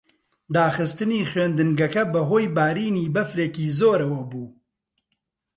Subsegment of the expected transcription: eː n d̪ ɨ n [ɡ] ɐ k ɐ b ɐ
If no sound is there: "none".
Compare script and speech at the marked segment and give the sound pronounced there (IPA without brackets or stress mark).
ɡ